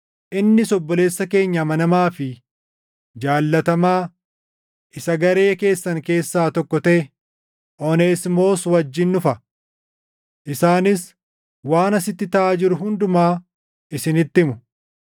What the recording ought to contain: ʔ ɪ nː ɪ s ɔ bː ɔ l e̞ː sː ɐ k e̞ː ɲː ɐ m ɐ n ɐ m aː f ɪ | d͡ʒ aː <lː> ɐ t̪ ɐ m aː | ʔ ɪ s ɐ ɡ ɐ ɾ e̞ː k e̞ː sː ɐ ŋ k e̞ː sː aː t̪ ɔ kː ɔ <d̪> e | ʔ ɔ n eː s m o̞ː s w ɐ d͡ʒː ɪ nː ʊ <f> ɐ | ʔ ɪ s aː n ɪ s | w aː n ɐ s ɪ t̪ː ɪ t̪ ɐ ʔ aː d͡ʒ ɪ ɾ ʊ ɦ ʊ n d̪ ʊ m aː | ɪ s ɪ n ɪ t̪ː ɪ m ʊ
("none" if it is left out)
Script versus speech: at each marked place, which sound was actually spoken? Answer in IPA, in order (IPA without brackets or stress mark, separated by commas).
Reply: lː, t̪, f